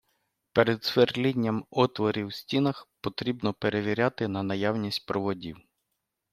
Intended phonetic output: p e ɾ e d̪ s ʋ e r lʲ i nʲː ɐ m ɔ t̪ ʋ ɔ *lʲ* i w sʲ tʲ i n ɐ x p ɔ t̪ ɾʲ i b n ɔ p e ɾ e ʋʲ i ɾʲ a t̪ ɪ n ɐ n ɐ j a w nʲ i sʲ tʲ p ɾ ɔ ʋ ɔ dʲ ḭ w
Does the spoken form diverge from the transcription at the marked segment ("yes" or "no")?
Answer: yes